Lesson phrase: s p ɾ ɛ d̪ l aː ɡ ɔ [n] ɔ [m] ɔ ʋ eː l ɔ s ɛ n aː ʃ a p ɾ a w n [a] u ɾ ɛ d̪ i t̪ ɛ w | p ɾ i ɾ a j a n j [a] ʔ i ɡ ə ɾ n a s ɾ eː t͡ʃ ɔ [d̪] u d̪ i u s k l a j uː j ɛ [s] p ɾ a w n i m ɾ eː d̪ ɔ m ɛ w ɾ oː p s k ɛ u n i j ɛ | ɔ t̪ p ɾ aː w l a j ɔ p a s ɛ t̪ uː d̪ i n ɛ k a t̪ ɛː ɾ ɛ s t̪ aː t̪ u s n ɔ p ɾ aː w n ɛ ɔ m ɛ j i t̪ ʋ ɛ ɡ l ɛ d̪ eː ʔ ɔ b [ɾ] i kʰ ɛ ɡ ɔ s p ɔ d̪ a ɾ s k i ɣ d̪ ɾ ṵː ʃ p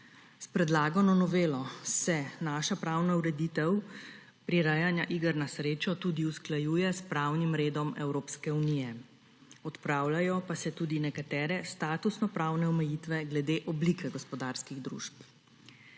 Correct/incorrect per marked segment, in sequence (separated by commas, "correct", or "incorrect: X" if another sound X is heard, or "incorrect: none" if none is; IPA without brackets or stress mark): correct, incorrect: n, correct, correct, incorrect: t̪, correct, incorrect: l